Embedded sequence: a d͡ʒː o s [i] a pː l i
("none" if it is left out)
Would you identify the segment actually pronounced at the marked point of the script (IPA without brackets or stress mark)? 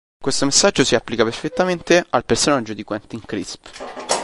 i